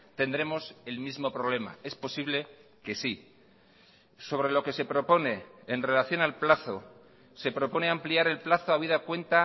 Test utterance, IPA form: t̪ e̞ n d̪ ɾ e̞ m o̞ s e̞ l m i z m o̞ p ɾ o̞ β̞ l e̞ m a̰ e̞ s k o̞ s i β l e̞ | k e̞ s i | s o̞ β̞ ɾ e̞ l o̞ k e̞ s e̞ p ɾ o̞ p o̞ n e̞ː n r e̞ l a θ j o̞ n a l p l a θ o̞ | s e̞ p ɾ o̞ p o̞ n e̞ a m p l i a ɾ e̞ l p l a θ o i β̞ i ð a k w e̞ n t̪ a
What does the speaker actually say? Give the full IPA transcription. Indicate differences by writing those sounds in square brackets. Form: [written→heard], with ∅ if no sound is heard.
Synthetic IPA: t̪ e̞ n d̪ ɾ e̞ m o̞ s e̞ l m i z m o̞ p ɾ o̞ β̞ l e̞ m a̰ e̞ s [k→p] o̞ s i β l e̞ | k e̞ s i | s o̞ β̞ ɾ e̞ l o̞ k e̞ s e̞ p ɾ o̞ p o̞ n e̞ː n r e̞ l a θ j o̞ n a l p l a θ o̞ | s e̞ p ɾ o̞ p o̞ n e̞ a m p l i a ɾ e̞ l p l a θ o [i→a] β̞ i ð a k w e̞ n t̪ a